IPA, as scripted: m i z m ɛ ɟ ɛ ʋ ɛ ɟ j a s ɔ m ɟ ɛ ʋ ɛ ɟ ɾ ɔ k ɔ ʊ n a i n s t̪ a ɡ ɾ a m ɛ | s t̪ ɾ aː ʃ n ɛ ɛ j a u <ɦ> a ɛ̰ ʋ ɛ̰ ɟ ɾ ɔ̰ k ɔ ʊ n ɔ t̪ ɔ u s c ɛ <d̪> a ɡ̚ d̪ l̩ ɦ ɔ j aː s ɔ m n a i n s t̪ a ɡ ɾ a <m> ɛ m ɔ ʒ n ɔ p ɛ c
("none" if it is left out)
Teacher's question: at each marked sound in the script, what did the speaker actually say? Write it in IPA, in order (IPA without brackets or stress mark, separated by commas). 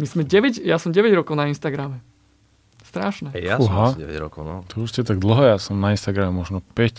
ɦ, t̪, m